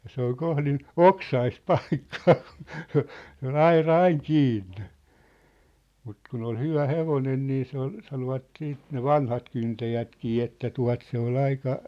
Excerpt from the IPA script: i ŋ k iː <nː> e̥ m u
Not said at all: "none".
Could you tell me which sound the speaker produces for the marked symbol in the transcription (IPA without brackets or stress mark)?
nː